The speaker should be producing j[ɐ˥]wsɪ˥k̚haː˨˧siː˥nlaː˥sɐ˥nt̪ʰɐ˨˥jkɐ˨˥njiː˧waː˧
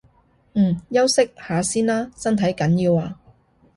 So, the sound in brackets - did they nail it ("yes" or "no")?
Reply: yes